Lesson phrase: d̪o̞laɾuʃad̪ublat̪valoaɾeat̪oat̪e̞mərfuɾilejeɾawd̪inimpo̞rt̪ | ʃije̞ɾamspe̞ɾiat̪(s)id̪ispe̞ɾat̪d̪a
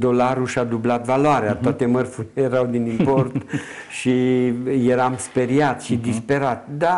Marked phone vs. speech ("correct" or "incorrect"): incorrect